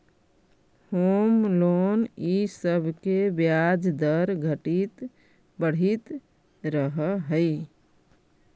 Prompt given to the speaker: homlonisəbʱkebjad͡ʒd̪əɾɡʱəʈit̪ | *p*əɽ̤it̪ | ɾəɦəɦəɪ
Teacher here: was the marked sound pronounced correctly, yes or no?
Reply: no